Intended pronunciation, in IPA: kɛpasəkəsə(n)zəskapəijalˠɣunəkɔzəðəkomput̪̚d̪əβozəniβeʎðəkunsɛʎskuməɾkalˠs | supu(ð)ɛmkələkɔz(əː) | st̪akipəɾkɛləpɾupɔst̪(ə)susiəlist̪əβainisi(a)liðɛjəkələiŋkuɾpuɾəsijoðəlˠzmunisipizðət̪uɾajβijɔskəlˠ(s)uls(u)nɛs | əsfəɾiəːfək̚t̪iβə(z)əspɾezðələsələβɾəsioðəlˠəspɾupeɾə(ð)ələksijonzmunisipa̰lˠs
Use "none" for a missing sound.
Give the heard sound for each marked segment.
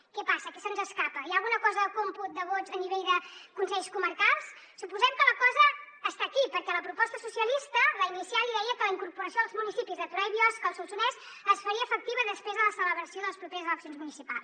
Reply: n, z, əː, ə, a, s, u, ð, z

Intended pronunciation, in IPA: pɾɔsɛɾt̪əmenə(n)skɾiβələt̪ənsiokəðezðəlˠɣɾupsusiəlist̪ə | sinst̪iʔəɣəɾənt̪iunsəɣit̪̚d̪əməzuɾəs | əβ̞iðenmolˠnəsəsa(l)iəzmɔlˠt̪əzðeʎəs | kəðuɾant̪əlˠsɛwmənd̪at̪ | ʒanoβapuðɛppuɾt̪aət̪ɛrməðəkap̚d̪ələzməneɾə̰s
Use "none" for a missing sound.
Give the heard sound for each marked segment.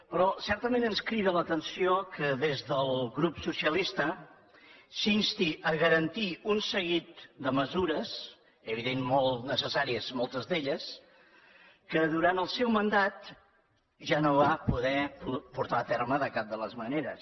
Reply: n, ɾ

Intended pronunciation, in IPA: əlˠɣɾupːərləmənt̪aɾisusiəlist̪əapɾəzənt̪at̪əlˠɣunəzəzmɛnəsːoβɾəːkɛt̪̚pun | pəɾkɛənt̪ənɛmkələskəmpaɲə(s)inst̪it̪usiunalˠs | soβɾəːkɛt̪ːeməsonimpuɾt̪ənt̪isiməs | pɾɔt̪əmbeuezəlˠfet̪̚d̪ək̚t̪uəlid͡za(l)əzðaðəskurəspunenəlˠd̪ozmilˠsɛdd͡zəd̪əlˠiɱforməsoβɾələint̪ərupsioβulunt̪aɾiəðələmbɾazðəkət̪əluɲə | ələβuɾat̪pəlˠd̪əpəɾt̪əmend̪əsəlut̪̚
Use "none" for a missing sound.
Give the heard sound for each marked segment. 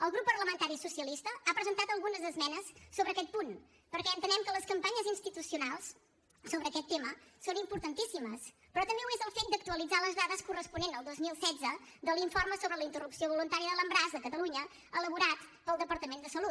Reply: z, l

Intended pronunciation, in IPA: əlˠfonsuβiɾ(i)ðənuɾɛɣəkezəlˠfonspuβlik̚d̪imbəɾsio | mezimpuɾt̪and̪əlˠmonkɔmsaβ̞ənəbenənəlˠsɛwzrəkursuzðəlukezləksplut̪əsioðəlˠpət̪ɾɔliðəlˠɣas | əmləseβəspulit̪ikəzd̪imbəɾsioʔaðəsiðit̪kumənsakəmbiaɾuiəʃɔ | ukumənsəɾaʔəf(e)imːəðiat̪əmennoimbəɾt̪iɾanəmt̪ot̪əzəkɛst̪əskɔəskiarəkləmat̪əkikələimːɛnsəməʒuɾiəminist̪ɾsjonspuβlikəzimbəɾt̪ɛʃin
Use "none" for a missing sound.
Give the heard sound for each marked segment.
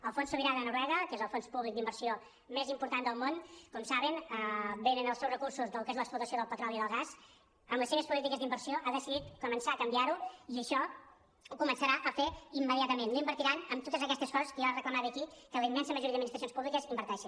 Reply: a, e

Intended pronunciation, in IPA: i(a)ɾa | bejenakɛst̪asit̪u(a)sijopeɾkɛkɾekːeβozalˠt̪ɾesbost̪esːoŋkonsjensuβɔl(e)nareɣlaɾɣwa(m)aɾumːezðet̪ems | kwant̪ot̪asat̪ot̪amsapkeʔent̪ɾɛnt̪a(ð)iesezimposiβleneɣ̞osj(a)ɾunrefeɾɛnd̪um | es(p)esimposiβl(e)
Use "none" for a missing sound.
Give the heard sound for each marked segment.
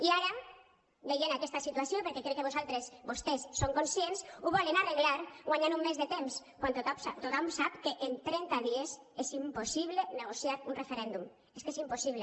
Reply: a, a, e, ɲ, ð, a, k, e

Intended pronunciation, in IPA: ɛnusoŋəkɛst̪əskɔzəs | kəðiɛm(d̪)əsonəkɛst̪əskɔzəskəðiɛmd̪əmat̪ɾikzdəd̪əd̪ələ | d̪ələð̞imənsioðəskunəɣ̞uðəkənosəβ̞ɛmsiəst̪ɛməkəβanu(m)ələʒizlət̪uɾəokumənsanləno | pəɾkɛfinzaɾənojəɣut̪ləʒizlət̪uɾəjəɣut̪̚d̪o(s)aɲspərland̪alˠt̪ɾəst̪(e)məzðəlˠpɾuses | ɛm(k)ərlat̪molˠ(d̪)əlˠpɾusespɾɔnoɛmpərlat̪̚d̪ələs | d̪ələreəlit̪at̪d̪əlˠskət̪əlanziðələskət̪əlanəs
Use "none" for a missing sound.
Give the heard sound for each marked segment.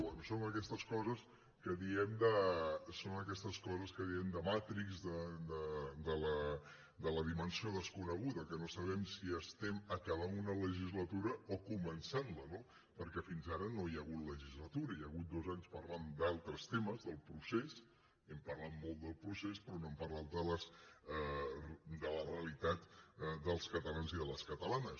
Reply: d̪, n, z, e, p, d̪

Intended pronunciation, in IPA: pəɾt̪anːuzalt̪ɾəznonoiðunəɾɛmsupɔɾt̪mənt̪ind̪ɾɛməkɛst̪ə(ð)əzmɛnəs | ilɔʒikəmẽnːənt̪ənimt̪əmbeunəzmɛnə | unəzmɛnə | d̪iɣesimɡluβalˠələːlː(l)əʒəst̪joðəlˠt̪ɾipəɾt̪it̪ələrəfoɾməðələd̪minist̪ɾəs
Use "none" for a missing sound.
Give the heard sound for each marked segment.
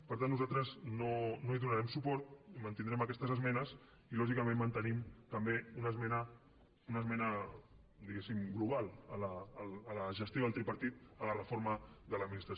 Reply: z, l

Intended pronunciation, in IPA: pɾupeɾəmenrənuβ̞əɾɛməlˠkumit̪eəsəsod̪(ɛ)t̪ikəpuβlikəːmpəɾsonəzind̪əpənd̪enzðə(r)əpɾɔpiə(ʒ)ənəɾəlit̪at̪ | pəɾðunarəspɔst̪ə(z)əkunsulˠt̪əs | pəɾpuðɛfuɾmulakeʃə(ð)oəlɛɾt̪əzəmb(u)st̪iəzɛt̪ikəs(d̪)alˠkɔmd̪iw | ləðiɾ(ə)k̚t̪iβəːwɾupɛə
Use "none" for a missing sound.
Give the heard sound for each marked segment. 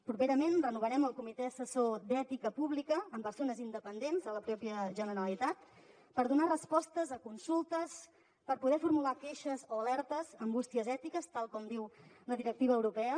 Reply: ɛ, l, ʒ, z, z, u, t̪, ə

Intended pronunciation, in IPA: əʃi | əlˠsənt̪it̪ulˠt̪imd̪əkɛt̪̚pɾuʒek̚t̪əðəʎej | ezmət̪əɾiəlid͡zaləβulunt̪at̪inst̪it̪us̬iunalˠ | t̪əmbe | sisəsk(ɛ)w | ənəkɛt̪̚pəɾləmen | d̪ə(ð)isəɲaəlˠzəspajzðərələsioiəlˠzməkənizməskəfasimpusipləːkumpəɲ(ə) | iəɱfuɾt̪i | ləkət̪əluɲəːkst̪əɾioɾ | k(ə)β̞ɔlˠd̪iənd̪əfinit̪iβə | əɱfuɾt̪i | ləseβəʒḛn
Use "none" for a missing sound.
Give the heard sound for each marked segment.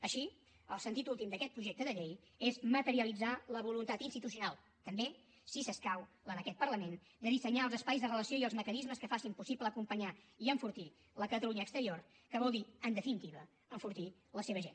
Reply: a, ð, a, ə

